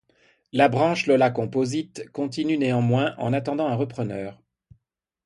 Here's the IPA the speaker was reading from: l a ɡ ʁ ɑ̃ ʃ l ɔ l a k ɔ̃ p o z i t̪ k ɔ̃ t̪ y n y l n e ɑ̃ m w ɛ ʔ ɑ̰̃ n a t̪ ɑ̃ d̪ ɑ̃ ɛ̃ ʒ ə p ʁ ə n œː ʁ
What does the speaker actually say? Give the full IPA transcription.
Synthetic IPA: l a b ʁ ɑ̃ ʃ l ɔ l a k ɔ̃ p o z i t̪ k ɔ̃ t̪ i n y n e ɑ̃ m w ɛ̃ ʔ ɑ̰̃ n a t̪ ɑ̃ d̪ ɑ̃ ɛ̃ ʁ ə p χ ə n œː ʁ